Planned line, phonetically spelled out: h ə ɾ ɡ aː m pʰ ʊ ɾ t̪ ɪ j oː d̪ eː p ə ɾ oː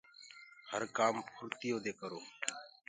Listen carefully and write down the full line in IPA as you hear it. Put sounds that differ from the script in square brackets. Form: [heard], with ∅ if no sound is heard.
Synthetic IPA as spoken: h ə ɾ [k] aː m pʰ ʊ ɾ t̪ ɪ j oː d̪ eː [k] ə ɾ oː

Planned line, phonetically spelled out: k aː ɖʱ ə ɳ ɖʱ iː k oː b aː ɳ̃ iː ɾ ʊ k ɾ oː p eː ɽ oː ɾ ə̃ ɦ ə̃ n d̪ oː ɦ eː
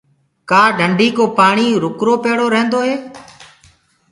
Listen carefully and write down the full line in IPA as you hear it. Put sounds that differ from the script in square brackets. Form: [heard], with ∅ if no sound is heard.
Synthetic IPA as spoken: k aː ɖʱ ə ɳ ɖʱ iː k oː [p] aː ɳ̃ iː ɾ ʊ k ɾ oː p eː ɽ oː ɾ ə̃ ɦ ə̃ n d̪ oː ɦ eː

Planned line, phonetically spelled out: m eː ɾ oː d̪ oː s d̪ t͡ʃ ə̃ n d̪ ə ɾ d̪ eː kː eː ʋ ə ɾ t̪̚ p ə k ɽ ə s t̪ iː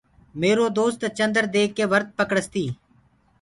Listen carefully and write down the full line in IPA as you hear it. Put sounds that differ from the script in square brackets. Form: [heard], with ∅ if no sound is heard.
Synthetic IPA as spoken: m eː ɾ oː d̪ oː s [t̪] t͡ʃ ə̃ n d̪ ə ɾ d̪ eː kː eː ʋ ə ɾ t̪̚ p ə k ɽ ə s t̪ iː

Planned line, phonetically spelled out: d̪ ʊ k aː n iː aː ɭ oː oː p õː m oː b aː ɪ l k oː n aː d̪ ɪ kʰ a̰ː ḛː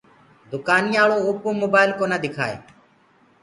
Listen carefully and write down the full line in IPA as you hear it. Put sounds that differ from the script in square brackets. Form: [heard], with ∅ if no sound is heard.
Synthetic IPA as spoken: d̪ ʊ k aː n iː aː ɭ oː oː p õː m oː b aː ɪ l k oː n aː d̪ ɪ kʰ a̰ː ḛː

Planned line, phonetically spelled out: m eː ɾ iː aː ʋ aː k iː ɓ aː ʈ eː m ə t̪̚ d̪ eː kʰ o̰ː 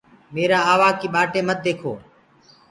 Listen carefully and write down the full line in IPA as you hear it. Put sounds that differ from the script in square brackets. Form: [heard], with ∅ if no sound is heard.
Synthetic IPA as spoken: m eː ɾ [aː] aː ʋ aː k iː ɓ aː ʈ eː m ə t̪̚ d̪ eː kʰ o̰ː

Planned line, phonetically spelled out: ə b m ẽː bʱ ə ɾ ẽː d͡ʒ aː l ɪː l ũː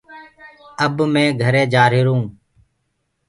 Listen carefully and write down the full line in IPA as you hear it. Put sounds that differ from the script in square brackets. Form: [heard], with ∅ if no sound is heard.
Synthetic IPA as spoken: ə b m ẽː [ɡʱ] ə ɾ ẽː d͡ʒ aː [ɾ] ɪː [ɾ] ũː

